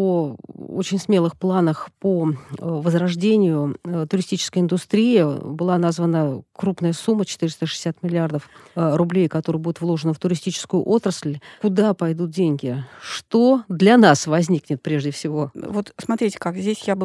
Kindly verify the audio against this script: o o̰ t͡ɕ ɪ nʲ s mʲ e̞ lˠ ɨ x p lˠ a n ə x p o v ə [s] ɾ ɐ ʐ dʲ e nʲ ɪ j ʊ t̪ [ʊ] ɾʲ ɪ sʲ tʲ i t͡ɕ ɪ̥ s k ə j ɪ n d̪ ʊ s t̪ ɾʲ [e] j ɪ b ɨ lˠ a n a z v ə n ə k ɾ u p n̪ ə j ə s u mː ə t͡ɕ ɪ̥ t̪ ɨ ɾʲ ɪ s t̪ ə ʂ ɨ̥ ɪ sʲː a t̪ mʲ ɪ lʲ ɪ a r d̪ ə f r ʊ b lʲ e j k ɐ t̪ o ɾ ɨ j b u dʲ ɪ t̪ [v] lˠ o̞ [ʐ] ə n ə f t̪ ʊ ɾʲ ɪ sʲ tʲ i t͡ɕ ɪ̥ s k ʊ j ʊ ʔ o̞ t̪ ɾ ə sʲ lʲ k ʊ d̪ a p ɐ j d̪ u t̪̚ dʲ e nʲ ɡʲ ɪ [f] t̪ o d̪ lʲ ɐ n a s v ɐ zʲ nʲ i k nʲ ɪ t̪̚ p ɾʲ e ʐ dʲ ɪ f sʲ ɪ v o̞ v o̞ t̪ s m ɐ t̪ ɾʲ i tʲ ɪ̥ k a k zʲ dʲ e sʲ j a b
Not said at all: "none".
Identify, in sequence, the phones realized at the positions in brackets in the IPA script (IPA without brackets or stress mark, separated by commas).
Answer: z, ʊ, i, v, ʐ, ʂ